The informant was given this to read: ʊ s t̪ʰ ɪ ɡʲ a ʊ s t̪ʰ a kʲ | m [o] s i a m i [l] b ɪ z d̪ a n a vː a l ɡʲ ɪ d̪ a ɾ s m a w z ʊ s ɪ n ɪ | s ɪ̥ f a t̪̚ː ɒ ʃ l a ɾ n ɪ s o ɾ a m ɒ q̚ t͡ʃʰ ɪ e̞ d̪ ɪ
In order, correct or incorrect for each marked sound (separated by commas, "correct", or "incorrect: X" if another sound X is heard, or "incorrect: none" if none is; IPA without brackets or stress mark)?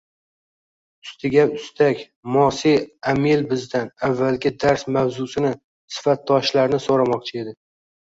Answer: incorrect: ɒ, correct